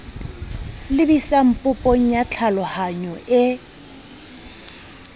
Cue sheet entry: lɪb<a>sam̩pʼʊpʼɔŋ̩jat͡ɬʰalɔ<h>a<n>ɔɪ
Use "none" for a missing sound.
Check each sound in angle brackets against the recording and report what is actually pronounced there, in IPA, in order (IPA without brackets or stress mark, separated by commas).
i, h, ɲ